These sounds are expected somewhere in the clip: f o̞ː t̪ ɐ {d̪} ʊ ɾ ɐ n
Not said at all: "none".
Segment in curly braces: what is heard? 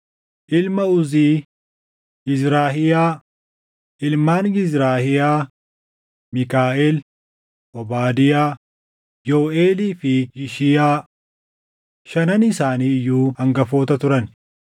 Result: t̪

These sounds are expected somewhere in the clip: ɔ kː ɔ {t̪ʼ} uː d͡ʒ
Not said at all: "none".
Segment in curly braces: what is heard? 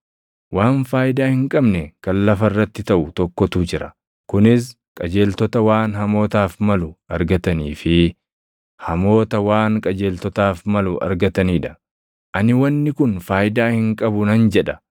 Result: t̪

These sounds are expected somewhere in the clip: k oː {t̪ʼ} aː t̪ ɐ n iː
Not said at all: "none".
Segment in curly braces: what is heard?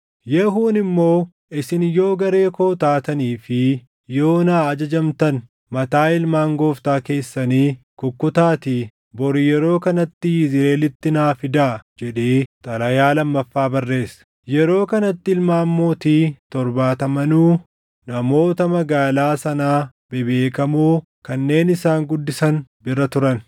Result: t̪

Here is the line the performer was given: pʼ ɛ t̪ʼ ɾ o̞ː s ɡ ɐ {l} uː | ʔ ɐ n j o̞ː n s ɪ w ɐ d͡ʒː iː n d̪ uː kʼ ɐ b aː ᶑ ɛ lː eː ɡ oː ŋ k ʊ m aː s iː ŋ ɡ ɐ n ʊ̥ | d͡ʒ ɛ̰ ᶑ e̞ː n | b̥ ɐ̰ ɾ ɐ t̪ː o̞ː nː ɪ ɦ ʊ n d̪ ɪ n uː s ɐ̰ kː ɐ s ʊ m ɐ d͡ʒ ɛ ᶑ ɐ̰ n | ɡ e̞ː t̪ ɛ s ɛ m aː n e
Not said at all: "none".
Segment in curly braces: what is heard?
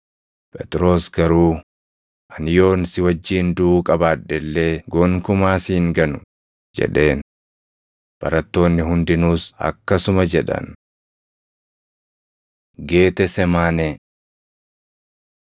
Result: ɾ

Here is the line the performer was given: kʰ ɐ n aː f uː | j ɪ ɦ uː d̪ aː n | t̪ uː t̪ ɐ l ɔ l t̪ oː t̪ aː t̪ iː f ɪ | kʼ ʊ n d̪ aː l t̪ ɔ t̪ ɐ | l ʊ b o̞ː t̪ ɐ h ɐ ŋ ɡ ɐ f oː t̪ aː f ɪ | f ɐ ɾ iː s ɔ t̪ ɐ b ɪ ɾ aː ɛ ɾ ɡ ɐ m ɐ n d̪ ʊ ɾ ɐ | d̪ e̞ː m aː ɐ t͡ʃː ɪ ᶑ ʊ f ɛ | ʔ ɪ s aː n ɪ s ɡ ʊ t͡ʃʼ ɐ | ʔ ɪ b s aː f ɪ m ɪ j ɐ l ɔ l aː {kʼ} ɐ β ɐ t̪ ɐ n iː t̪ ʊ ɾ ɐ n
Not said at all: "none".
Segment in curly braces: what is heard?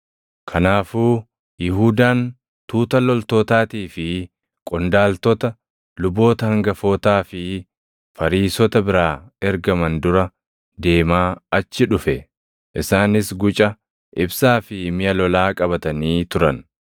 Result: kʼ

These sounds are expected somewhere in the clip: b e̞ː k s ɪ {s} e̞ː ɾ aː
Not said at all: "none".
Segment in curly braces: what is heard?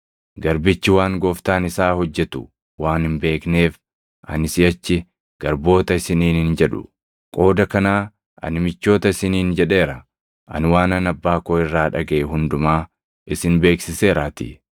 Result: s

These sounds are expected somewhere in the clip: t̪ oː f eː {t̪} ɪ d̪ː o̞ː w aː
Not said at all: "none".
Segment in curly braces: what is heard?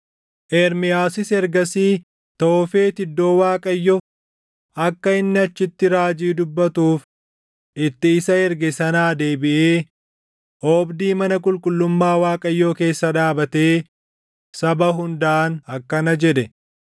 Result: t̪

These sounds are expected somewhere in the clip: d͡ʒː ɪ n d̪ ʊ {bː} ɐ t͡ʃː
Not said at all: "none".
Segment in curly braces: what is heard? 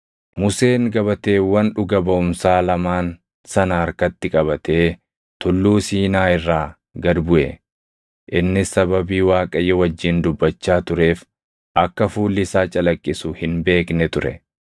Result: bː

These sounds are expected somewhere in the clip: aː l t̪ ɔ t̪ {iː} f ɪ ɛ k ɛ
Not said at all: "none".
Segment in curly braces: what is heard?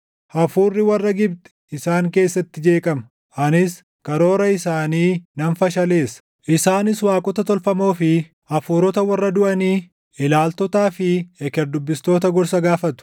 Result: aː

